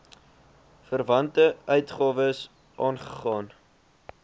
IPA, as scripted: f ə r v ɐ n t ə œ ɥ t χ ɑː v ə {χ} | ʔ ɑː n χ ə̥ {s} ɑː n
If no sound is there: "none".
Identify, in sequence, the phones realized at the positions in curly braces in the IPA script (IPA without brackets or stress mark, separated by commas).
s, χ